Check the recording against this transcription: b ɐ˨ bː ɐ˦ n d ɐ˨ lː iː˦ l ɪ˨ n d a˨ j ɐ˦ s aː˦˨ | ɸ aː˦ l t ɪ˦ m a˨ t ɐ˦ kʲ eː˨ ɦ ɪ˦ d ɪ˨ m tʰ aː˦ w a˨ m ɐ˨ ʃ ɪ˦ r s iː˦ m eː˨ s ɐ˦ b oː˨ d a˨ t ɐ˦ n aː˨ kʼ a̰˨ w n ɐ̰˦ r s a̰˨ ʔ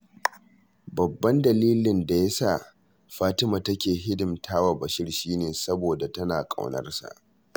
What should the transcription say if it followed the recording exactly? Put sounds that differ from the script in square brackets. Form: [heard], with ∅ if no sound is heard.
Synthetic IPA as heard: b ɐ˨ bː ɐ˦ n d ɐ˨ [l] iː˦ l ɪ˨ n d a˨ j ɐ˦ s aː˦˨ | ɸ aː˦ [∅] t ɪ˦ m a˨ t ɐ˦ kʲ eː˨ ɦ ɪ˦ d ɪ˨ m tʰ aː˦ w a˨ [b] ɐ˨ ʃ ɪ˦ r [ʃ] iː˦ [n] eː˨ s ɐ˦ b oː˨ d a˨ t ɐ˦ n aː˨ kʼ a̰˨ w n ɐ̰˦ r s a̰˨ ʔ